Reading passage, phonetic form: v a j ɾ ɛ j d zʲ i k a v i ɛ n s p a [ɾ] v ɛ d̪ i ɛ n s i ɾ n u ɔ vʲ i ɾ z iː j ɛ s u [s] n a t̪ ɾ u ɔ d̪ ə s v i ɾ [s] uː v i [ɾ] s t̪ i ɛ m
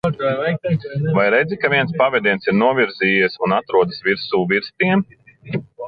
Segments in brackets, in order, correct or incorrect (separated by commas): incorrect, incorrect, correct, correct